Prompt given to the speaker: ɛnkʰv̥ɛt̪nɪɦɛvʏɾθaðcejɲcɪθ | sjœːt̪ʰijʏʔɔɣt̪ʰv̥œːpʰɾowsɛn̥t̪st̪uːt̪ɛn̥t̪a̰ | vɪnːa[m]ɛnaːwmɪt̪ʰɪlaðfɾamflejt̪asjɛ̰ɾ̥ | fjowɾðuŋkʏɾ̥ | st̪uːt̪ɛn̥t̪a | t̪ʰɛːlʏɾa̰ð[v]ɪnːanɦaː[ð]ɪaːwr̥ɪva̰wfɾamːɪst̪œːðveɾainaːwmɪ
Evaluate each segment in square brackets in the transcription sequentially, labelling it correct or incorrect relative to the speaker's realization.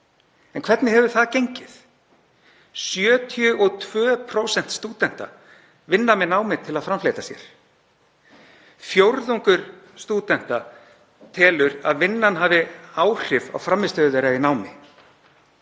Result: correct, correct, incorrect

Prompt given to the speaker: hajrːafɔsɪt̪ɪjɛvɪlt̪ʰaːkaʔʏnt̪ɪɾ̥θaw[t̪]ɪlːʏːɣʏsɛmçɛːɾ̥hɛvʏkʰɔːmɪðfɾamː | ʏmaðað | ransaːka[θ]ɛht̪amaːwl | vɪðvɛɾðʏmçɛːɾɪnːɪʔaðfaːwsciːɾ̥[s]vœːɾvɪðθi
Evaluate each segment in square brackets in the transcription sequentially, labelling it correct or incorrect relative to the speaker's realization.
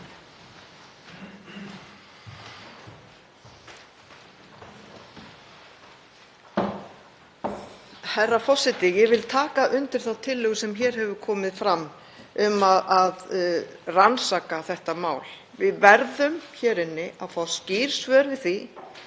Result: incorrect, correct, correct

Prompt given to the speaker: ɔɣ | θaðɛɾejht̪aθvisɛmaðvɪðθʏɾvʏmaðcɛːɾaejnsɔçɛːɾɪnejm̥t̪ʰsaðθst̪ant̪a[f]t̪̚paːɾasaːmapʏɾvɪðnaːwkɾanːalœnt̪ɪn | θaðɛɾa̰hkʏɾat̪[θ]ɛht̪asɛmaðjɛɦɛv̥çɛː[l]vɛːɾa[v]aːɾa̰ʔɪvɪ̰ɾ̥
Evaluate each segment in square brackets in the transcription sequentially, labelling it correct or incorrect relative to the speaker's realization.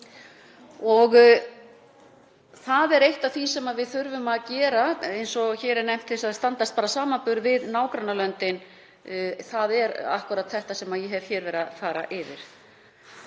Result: incorrect, correct, incorrect, incorrect

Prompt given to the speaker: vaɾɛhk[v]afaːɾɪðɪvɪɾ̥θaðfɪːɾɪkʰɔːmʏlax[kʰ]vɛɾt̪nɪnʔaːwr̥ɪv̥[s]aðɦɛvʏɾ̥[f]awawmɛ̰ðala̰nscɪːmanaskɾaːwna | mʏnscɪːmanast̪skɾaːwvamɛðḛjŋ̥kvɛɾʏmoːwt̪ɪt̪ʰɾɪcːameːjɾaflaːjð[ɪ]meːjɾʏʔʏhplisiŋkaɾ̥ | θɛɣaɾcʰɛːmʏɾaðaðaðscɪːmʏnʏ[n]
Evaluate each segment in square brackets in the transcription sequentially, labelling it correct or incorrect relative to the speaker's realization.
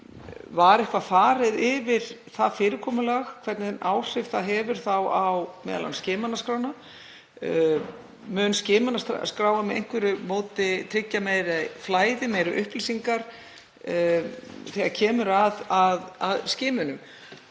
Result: correct, correct, incorrect, incorrect, correct, incorrect

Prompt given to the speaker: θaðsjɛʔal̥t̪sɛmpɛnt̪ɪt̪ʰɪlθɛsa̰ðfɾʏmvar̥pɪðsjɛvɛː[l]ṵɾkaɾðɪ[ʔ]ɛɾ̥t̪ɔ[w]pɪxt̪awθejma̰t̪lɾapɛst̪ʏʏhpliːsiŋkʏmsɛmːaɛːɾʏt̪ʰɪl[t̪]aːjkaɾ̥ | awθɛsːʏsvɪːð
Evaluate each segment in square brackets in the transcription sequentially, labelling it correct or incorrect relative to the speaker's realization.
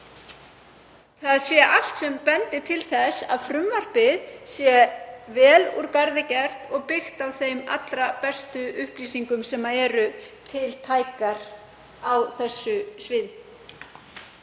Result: correct, incorrect, incorrect, incorrect

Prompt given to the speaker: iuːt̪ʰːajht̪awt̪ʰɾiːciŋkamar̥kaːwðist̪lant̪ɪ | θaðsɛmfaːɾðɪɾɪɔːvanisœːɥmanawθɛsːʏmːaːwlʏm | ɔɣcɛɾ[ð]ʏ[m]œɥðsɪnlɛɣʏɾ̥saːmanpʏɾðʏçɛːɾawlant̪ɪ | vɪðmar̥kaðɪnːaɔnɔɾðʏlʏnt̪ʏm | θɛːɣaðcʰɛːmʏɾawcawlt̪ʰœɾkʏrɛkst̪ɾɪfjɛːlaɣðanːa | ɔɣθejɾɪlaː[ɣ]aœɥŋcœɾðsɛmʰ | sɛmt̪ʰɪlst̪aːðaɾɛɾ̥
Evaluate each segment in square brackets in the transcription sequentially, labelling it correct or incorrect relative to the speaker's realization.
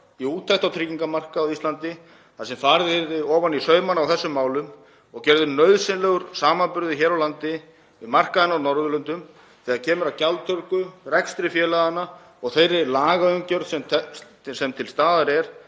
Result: correct, incorrect, correct

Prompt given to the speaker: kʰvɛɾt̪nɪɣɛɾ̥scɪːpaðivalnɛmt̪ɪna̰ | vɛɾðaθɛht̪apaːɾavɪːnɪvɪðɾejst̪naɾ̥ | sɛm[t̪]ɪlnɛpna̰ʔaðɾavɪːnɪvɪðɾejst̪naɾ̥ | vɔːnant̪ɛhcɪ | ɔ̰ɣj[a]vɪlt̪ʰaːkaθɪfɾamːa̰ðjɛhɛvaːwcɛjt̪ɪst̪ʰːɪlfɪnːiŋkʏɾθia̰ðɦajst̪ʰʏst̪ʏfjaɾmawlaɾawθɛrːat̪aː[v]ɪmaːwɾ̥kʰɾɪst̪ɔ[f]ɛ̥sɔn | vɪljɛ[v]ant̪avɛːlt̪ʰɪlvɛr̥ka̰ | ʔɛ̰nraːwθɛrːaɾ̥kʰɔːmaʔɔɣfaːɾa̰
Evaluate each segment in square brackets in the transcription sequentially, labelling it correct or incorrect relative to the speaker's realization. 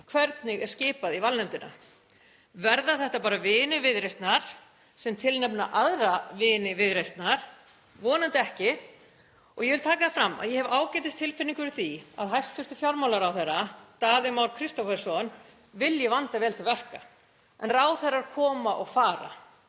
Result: incorrect, incorrect, incorrect, correct, correct

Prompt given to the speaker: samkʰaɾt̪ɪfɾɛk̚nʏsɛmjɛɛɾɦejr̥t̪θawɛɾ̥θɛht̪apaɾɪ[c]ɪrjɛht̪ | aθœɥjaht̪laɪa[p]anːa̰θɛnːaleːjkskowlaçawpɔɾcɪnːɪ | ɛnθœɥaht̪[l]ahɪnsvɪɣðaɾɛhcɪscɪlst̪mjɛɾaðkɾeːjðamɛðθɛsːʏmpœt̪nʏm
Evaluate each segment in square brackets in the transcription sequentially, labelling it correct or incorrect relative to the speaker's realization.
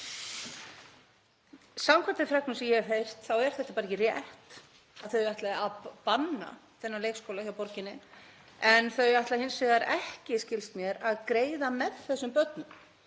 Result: correct, correct, correct

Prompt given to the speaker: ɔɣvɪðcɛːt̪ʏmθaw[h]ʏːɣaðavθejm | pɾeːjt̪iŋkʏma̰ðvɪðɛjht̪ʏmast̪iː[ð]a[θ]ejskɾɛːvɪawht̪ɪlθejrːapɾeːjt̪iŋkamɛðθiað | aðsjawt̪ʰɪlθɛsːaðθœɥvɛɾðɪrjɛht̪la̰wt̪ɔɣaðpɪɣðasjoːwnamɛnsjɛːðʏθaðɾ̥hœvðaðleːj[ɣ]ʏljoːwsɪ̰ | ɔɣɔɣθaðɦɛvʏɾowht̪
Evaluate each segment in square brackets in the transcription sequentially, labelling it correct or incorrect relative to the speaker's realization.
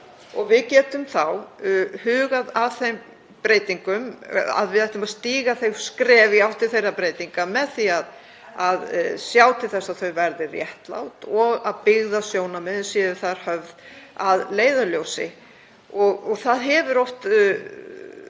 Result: correct, incorrect, correct, incorrect

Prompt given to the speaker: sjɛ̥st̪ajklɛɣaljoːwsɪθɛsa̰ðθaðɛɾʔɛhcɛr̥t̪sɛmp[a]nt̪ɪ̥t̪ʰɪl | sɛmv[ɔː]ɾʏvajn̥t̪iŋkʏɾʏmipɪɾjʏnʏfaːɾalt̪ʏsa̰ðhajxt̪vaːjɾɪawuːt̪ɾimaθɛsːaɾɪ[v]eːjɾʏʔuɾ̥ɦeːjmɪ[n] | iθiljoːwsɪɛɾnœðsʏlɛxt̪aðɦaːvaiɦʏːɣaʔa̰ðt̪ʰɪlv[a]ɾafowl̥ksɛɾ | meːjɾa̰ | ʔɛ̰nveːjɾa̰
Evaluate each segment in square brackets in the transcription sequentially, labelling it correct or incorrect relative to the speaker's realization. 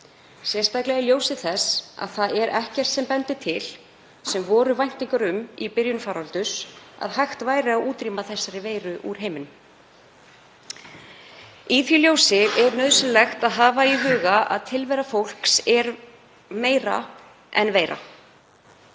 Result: incorrect, correct, correct, correct, incorrect

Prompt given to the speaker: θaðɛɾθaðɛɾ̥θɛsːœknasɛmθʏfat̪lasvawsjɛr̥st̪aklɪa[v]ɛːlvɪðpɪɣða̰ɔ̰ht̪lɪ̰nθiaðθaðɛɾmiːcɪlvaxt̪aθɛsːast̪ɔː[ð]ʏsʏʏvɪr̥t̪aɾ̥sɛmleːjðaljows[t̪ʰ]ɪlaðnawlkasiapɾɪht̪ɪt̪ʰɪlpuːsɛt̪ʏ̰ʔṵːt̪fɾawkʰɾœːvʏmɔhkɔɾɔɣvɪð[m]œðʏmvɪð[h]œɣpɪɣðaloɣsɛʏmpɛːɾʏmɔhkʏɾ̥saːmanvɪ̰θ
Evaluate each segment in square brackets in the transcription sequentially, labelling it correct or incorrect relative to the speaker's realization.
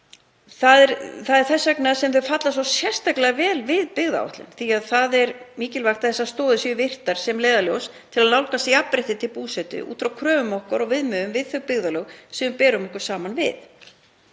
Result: correct, correct, correct, correct, incorrect

